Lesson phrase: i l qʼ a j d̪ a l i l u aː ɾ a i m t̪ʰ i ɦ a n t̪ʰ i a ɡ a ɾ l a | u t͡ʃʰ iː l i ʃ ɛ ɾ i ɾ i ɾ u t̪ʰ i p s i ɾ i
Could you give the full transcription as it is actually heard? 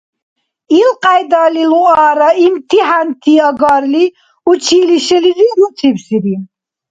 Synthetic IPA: i l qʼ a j d̪ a l i l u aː ɾ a i m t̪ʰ i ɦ a n t̪ʰ i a ɡ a ɾ l i | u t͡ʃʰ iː l i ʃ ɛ l i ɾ i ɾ u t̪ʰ i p s i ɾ i